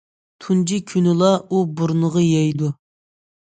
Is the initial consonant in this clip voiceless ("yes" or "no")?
yes